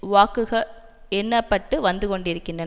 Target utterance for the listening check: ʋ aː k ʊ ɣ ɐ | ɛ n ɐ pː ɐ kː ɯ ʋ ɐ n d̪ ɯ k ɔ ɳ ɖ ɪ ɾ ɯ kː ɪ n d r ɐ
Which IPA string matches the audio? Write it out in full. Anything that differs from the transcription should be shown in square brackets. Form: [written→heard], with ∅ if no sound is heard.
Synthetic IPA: ʋ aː k [ʊ→ɯ] ɣ ɐ | ɛ [n→nː] ɐ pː ɐ [kː→ʈː] ɯ ʋ ɐ n d̪ ɯ k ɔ ɳ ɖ ɪ ɾ ɯ kː ɪ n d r ɐ